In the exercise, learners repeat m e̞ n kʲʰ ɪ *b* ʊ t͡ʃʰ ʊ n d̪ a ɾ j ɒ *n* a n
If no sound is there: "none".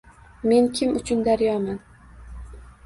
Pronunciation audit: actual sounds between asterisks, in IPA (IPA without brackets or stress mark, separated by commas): m, m